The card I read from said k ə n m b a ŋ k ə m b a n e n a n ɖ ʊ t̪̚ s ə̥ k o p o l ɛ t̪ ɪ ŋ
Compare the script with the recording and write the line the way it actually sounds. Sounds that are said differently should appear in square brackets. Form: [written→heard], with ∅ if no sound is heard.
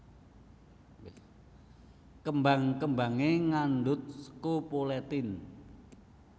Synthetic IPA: k ə [n→∅] m b a ŋ k ə m b a [n→ŋ] e [n→ŋ] a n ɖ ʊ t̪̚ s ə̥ k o p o l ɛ t̪ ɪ [ŋ→n]